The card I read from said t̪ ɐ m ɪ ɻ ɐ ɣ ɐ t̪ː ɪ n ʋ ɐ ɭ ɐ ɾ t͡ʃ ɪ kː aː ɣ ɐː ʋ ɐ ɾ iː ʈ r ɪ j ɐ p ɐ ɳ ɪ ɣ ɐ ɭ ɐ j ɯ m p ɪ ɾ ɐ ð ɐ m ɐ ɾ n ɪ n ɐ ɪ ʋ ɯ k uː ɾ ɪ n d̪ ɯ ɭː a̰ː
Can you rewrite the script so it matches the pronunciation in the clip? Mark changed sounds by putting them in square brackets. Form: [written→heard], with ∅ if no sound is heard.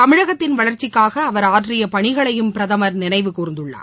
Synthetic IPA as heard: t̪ ɐ m ɪ ɻ ɐ ɣ ɐ t̪ː ɪ n ʋ ɐ ɭ ɐ ɾ t͡ʃ ɪ kː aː ɣ ɐː ʋ ɐ ɾ [iː→aː] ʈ r ɪ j ɐ p ɐ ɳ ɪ ɣ ɐ ɭ ɐ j ɯ m p ɪ ɾ ɐ ð ɐ m ɐ ɾ n ɪ n ɐ ɪ ʋ ɯ k uː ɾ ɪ n d̪ ɯ ɭː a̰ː